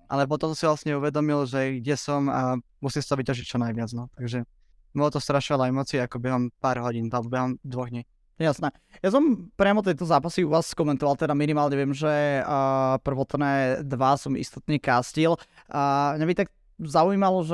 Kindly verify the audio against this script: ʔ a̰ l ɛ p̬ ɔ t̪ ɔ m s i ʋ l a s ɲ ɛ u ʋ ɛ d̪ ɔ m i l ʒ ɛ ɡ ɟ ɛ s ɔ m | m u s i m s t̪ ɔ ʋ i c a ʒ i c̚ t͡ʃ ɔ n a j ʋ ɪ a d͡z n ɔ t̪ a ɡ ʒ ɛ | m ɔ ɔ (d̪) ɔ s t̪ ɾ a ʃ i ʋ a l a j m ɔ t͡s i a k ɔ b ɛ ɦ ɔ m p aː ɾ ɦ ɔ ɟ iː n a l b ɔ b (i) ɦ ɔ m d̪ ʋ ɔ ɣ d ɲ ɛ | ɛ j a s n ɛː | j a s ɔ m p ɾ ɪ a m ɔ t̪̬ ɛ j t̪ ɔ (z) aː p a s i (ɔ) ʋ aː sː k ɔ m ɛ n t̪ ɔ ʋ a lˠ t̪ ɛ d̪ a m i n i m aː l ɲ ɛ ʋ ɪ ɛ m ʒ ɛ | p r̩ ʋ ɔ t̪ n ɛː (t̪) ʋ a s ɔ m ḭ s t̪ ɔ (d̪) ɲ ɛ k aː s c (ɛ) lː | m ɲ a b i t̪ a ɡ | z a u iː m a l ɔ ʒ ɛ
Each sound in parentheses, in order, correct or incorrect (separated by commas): incorrect, incorrect, correct, incorrect, incorrect, incorrect, incorrect